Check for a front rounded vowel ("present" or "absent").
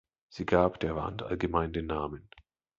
absent